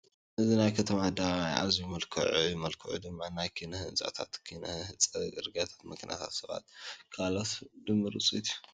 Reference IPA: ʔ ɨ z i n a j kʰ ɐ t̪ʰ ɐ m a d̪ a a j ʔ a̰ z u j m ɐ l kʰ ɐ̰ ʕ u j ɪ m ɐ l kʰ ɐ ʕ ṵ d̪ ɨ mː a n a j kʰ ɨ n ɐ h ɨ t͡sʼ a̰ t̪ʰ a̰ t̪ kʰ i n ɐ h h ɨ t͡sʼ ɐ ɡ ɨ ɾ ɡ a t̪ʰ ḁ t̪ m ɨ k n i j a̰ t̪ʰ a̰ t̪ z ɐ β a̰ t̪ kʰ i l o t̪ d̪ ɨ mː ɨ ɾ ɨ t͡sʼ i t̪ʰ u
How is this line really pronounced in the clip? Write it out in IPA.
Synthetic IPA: ʔ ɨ z i n a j kʰ ɐ t̪ʰ ɐ m a d̪ a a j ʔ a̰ z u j m ɐ l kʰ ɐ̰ ʕ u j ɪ m ɐ l kʰ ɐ ʕ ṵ d̪ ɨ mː a n a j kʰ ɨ n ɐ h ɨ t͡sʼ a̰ t̪ʰ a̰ t̪ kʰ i n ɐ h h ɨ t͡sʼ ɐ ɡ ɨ ɾ ɡ a t̪ʰ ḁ t̪ m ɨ k n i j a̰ t̪ʰ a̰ t̪ s ɐ β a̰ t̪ kʰ a l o t̪ d̪ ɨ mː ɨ ɾ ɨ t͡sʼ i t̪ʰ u